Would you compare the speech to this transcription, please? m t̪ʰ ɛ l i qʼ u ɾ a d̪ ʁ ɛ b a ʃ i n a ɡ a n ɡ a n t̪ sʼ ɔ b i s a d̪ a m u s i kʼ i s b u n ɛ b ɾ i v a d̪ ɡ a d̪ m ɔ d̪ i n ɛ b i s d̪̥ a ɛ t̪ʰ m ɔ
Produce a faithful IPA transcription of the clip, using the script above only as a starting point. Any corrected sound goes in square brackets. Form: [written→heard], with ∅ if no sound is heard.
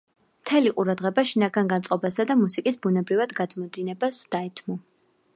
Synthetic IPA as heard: m t̪ʰ ɛ l i qʼ u ɾ a d̪ ʁ ɛ b a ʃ i n a ɡ a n ɡ a n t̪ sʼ ɔ b [i→a] s a d̪ a m u s i kʼ i s b u n ɛ b ɾ i v a d̪ ɡ a d̪ m ɔ d̪ i n ɛ b [i→a] s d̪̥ a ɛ t̪ʰ m ɔ